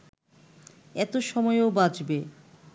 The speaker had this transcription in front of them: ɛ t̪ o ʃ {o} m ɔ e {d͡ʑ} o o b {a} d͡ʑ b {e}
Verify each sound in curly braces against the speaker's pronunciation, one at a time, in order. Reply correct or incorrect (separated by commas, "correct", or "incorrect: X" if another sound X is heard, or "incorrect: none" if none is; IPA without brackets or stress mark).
incorrect: ɔ, incorrect: none, correct, correct